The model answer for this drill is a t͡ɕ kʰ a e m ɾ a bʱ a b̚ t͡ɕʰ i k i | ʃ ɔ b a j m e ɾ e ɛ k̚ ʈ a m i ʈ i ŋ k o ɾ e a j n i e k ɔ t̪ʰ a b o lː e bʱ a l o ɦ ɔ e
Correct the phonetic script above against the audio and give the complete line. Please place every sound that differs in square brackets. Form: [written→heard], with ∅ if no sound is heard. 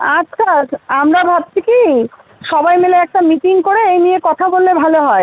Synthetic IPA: a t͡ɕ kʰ a [e→a] m ɾ a bʱ a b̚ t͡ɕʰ i k i | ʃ ɔ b a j m e [ɾ→l] e ɛ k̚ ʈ a m i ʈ i ŋ k o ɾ e [a→e] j n i e k ɔ t̪ʰ a b o lː e bʱ a l o ɦ ɔ e

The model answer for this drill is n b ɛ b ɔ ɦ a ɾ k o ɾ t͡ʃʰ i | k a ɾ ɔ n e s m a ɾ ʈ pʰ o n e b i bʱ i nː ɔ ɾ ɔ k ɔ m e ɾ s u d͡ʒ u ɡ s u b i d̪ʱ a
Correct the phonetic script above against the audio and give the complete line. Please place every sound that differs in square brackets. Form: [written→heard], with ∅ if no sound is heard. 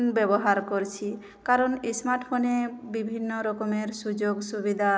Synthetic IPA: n b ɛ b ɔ ɦ a ɾ k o ɾ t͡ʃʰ i | k a ɾ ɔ n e s m a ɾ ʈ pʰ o n e b i bʱ i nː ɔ ɾ ɔ k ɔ m e ɾ s u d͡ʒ [u→o] ɡ s u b i d̪ʱ a

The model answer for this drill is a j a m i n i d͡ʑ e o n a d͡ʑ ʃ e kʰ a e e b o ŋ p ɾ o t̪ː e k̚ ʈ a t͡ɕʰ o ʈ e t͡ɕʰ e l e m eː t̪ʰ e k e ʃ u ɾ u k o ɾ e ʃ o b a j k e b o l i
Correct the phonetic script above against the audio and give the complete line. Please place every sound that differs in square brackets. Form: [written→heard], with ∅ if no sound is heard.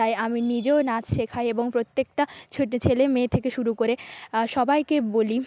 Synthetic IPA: a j a m i n i d͡ʑ e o n a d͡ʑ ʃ e kʰ a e e b o ŋ p ɾ o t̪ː e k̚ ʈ a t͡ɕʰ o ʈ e t͡ɕʰ e l e m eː t̪ʰ e k e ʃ u ɾ u k o ɾ e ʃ [o→ɔ] b a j k e b o l i

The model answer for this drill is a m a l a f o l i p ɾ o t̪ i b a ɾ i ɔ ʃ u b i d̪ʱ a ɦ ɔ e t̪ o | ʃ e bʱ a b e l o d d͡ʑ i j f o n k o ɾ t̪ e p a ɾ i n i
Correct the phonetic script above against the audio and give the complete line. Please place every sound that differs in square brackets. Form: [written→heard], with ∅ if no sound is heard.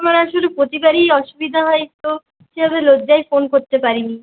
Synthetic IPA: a m a [l→ɾ] a [f→ʃ] o l [i→e] p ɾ o t̪ i b a ɾ i ɔ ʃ u b i d̪ʱ a ɦ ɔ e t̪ o | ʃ e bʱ a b e l o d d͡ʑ [i→a] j f o n k o ɾ t̪ e p a ɾ i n i

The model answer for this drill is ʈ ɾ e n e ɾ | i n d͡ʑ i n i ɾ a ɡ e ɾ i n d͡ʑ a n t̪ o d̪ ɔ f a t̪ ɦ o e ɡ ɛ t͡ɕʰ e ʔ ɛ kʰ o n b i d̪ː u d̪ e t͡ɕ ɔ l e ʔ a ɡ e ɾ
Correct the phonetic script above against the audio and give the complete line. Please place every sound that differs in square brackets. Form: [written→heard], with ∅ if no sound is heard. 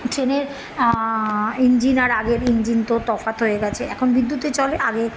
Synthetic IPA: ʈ ɾ e n e ɾ | i n d͡ʑ i n [i→a] ɾ a ɡ e ɾ i n d͡ʑ [a→i] n t̪ o [d̪→t̪] ɔ f a t̪ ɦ o e ɡ ɛ t͡ɕʰ e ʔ ɛ kʰ o n b i d̪ː u [d̪→t̪] e t͡ɕ ɔ l e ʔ a ɡ e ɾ

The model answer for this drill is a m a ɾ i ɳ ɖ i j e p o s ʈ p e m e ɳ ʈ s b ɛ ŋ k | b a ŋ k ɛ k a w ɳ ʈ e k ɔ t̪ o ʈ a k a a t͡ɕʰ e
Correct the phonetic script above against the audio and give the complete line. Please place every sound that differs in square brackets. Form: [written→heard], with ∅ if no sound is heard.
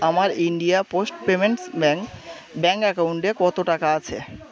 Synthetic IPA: a m a ɾ i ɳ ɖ i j [e→a] p o s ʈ p e m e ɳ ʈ s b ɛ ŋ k | b [a→ɛ] ŋ k ɛ k a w ɳ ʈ e k ɔ t̪ o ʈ a k a a t͡ɕʰ e

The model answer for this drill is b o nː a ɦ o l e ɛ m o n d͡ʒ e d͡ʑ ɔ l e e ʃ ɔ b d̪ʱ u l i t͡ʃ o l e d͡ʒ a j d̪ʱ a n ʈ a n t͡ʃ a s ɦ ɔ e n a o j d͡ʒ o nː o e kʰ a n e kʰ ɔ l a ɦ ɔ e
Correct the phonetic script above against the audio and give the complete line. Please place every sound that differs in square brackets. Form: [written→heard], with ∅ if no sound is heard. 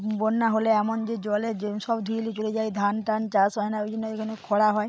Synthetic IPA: b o nː a ɦ o l e ɛ m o n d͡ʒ e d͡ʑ ɔ l e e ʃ ɔ b d̪ʱ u l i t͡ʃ o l e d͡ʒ a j d̪ʱ a n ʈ a n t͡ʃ a s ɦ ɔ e n a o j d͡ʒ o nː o e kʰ a n e kʰ ɔ [l→ɽ] a ɦ ɔ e

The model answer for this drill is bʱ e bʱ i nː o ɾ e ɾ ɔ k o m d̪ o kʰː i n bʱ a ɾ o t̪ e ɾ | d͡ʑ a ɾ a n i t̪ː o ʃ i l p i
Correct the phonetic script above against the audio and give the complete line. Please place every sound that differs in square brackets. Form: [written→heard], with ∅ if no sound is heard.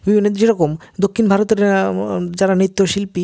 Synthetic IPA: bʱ [e→i] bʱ i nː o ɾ e ɾ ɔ k o m d̪ o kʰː i n bʱ a ɾ o t̪ e ɾ | d͡ʑ a ɾ a n i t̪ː o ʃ i l p i

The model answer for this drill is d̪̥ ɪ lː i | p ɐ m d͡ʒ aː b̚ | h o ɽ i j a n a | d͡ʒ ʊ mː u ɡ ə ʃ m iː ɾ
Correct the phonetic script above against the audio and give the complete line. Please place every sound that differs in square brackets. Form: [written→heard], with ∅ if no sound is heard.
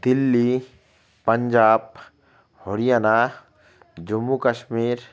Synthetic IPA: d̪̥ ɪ lː i | p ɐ [m→ɲ] d͡ʒ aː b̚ | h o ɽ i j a n a | d͡ʒ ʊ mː u [ɡ→k] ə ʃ m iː ɾ

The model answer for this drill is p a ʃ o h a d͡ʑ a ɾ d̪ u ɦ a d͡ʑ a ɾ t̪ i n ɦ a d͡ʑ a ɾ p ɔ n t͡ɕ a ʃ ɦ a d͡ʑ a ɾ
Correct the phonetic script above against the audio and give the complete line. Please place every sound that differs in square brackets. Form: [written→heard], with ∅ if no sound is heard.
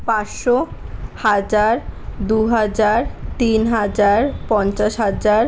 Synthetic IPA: p a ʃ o h a d͡ʑ a ɾ d̪ u ɦ a d͡ʑ a ɾ t̪ i n ɦ a d͡ʑ a ɾ p ɔ n t͡ɕ a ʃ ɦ a d͡ʑ a ɾ

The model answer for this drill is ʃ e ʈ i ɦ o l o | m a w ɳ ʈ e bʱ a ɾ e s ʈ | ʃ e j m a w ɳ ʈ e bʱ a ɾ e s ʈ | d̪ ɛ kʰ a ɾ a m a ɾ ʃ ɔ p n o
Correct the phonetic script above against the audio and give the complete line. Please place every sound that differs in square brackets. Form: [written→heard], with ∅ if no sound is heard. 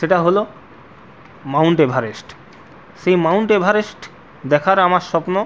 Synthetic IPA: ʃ e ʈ [i→a] ɦ o l o | m a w ɳ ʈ e bʱ a ɾ e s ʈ | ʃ e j m a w ɳ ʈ e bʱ a ɾ e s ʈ | d̪ ɛ kʰ a ɾ a m a ɾ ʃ ɔ p n o

